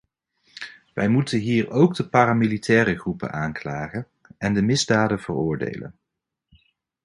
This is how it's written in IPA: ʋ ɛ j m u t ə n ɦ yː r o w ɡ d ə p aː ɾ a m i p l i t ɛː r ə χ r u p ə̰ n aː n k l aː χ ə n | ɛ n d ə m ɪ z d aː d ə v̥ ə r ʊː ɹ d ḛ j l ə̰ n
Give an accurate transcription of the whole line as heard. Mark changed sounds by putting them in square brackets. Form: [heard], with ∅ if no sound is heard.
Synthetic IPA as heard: ʋ ɛ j m u t ə n ɦ [iː] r o w ɡ d ə p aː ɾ a m i [∅] l i t ɛː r ə χ r u p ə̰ n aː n k l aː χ ə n | ɛ n d ə m ɪ z d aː d ə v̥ ə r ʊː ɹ d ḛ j l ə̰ n

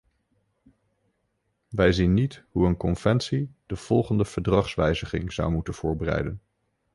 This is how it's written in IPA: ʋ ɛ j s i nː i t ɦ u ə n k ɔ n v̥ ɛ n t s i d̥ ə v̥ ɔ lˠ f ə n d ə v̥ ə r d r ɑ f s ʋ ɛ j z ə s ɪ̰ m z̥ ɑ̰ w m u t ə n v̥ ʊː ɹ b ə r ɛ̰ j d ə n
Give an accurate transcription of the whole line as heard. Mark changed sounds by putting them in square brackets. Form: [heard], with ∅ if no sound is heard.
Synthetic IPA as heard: ʋ ɛ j [z] i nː i t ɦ u ə n k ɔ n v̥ ɛ n t s i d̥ ə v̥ ɔ lˠ [χ] ə n d ə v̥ ə [ɹ] d r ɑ [χ] s ʋ ɛ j z ə [χ] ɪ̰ [ŋ] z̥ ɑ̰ w m u t ə n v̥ ʊː ɹ b ə r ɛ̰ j d ə n

